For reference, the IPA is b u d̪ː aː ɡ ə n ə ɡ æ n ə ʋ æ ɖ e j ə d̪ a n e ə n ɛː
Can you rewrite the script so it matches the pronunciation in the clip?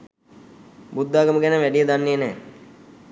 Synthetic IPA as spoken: b u d̪ː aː ɡ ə m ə ɡ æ n ə ʋ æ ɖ i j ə d̪ a nː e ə n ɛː